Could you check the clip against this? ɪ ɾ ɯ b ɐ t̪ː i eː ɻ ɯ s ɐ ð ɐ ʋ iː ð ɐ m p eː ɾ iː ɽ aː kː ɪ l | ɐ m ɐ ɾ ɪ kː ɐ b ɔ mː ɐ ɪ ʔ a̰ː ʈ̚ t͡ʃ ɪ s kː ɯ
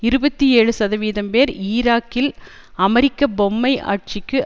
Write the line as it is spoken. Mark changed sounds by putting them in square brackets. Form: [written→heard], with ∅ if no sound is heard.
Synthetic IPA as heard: ɪ ɾ ɯ b ɐ t̪ː i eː ɻ ɯ s ɐ ð ɐ ʋ iː ð ɐ m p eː ɾ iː [ɽ→ɾ] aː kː ɪ l | ɐ m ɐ ɾ ɪ kː ɐ b ɔ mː ɐ ɪ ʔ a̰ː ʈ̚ t͡ʃ ɪ [s→∅] kː ɯ